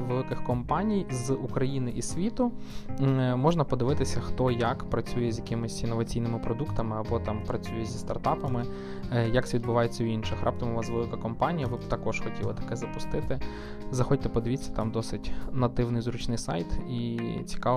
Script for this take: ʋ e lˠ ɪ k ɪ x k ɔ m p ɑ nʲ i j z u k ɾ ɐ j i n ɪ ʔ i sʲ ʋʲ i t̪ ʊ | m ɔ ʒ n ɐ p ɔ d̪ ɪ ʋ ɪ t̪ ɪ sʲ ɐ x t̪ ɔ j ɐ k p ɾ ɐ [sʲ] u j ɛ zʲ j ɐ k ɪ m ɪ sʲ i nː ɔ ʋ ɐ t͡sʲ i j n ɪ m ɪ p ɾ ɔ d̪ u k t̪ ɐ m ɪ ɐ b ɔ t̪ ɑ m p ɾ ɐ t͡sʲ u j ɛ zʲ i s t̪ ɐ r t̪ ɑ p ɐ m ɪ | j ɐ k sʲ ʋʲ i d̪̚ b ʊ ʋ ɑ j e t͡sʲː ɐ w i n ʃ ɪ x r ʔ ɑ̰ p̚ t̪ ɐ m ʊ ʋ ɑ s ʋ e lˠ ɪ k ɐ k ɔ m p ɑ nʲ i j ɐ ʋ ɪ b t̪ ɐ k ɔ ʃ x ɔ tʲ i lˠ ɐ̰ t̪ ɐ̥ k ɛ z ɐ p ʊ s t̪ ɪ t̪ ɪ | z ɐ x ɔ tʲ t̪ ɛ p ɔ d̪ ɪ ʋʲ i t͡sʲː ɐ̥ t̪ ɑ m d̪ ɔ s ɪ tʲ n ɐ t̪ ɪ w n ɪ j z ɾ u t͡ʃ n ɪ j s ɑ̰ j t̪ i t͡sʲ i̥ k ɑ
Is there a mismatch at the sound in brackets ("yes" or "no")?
yes